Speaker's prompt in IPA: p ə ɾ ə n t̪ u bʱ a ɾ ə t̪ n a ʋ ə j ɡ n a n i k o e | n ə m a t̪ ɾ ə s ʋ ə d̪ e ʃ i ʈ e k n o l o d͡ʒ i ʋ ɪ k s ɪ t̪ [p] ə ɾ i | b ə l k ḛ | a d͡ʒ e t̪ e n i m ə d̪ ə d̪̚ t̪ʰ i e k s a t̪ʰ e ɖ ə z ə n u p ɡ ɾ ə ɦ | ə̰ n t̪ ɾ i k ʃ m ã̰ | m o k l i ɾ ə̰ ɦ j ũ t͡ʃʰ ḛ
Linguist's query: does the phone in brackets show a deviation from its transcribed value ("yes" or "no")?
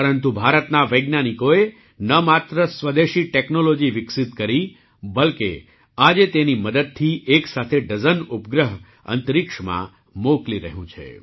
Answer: yes